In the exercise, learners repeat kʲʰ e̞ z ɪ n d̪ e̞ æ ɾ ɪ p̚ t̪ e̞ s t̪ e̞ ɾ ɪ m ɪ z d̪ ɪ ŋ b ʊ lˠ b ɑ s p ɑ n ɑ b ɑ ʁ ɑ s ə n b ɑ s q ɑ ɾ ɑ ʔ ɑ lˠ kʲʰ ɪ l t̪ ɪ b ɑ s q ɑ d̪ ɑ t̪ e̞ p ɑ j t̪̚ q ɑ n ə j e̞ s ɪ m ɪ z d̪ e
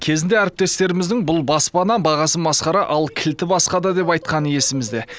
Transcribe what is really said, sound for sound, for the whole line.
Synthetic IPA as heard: kʲʰ e̞ z ɪ n d̪ e̞ æ ɾ ɪ p̚ t̪ e̞ s t̪ e̞ ɾ ɪ m ɪ z d̪ ɪ ŋ b ʊ lˠ b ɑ s p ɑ n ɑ b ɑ ʁ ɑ s ə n b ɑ s q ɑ ɾ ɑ ʔ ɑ lˠ kʲʰ ɪ l t̪ ɪ b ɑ s q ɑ d̪ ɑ d̪ e̞ p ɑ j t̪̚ q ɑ n ə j e̞ s ɪ m ɪ z d̪ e